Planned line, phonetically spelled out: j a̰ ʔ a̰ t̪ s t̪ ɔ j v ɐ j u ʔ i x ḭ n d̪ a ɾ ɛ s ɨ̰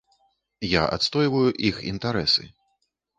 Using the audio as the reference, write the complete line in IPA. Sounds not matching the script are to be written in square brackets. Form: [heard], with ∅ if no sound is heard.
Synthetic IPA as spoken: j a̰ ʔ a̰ t̪ s t̪ ɔ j v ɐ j u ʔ i x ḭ n [t̪] a ɾ ɛ s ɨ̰